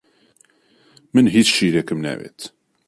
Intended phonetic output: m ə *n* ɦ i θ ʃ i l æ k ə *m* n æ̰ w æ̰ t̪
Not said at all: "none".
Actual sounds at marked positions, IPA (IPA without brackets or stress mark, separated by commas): n, m